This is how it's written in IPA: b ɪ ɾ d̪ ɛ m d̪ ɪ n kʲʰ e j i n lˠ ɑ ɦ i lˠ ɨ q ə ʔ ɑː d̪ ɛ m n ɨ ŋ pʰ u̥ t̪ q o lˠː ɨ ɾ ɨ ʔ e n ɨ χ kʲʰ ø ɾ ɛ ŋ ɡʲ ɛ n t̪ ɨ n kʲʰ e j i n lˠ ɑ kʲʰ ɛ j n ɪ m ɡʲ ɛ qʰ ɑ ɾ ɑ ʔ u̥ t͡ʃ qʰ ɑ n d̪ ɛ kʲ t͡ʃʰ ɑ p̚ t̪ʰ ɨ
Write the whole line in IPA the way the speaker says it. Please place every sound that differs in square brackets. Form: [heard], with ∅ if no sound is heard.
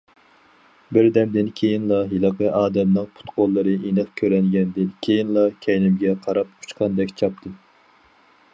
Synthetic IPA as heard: b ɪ ɾ d̪ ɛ m d̪ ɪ n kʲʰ e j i n lˠ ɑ ɦ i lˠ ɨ q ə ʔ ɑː d̪ ɛ m n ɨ ŋ pʰ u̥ t̪ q o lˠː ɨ ɾ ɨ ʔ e n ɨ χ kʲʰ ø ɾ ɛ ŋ ɡʲ ɛ n [d̪] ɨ n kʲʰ e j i n lˠ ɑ kʲʰ ɛ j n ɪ m ɡʲ ɛ qʰ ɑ ɾ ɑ [p] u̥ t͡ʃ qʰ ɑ n d̪ ɛ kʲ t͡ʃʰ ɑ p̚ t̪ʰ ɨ